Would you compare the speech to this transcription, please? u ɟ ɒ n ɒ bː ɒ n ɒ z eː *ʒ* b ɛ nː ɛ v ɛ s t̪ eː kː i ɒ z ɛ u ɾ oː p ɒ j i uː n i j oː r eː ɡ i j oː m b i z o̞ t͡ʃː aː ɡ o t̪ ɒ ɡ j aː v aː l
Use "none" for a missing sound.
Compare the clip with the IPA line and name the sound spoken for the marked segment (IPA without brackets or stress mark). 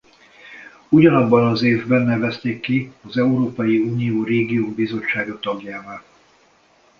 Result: v